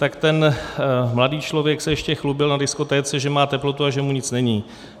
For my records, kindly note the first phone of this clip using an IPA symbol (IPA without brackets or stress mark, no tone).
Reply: t̪